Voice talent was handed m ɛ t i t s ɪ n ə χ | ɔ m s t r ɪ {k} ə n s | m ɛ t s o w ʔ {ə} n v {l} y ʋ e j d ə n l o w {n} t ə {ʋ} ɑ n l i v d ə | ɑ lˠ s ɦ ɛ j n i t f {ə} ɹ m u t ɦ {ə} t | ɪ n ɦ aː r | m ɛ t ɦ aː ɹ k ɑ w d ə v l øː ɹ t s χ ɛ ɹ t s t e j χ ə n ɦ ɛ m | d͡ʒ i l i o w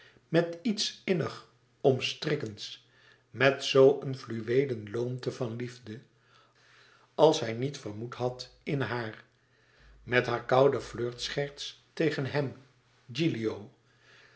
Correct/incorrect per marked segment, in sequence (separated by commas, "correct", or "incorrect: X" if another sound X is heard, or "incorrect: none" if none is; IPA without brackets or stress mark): correct, correct, correct, incorrect: m, incorrect: v, correct, incorrect: ɑ